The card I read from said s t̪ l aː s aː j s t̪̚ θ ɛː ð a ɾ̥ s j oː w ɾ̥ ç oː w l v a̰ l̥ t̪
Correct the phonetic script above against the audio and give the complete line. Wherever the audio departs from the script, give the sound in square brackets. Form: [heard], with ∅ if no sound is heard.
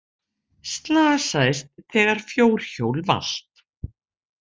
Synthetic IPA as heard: s t̪ l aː s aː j s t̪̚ θ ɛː [ɣ] a ɾ̥ [f] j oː w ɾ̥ ç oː w l v a̰ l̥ t̪

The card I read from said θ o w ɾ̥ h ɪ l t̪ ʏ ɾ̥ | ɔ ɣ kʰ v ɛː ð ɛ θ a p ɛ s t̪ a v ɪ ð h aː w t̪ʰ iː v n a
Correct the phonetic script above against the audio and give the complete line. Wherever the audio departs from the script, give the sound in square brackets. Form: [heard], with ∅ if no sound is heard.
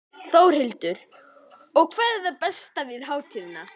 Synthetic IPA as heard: θ o w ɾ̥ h ɪ l t̪ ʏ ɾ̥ | ɔ ɣ kʰ v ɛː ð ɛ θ a p ɛ s t̪ a v ɪ ð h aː w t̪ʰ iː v n a

